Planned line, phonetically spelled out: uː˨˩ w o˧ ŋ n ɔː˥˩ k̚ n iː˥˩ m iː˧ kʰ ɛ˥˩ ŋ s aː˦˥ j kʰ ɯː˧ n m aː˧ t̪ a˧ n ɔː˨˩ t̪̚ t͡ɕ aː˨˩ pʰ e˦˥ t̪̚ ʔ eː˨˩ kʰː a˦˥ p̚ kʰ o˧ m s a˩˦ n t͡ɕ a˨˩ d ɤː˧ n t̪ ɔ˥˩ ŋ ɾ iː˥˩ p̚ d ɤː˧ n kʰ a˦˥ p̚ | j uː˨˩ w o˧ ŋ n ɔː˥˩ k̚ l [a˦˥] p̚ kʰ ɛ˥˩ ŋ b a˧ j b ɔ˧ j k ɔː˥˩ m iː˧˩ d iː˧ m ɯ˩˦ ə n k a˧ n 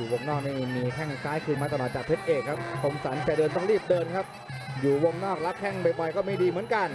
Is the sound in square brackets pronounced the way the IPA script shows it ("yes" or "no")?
yes